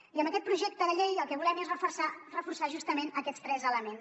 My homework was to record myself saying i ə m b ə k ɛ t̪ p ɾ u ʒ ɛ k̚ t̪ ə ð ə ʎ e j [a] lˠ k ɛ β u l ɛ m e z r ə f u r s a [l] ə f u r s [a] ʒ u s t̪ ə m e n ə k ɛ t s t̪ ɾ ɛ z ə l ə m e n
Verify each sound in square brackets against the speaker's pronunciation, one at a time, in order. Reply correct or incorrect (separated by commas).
incorrect, incorrect, correct